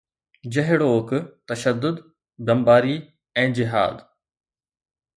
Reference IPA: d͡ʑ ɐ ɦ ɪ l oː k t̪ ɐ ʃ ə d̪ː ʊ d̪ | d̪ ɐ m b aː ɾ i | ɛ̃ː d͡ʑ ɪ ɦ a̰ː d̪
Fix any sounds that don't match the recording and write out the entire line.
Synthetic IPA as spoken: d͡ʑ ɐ ɦ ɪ ɽ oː k t̪ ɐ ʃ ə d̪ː ʊ d̪ | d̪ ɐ m b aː ɾ i | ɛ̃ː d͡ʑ ɪ ɦ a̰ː d̪